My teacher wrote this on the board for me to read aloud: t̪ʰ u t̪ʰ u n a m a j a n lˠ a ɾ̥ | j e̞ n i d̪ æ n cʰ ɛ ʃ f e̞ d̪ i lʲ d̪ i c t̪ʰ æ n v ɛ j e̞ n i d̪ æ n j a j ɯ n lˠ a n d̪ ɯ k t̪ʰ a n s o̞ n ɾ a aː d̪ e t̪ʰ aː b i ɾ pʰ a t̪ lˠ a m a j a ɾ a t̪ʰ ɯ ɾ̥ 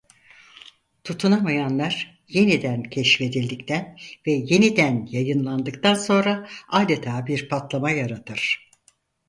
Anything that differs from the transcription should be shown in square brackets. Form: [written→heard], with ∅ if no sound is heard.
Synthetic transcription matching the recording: t̪ʰ u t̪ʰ u n a m a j a n lˠ a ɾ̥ | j e̞ n i d̪ æ n cʰ ɛ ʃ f e̞ d̪ i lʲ d̪ i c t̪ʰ æ n v ɛ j e̞ n i d̪ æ n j a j ɯ n lˠ a n d̪ ɯ k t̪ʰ a n s o̞ n ɾ a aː d̪ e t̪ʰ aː b i ɾ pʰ a t̪ lˠ a m a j a ɾ a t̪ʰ ɯ ɾ̥